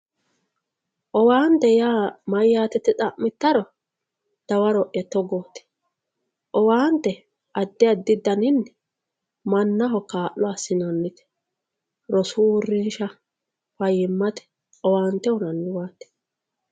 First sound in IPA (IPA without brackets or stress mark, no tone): ʔ